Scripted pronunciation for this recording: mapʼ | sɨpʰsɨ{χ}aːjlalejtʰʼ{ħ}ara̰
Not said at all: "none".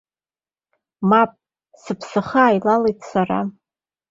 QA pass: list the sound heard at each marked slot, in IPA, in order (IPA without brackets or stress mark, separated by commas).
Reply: χ, s